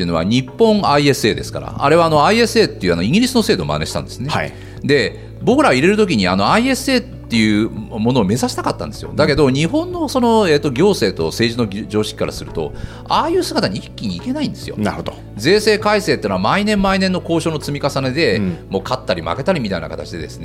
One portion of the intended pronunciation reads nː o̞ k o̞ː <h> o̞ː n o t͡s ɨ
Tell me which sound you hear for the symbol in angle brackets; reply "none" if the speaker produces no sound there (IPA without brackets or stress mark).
ɕ